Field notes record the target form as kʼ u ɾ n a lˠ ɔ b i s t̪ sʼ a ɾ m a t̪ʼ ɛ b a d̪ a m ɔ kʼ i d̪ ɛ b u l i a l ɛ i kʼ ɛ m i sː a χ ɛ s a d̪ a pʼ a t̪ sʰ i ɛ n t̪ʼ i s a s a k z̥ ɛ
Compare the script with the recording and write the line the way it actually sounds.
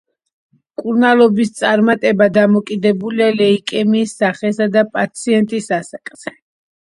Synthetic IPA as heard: kʼ u ɾ n a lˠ ɔ b i s t̪ sʼ a ɾ m a t̪ʼ ɛ b a d̪ a m ɔ kʼ i d̪ ɛ b u l i a l ɛ i kʼ ɛ m iː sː a χ ɛ s a d̪ a pʼ a t̪ sʰ i ɛ n t̪ʼ i s a s a kʼ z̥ ɛ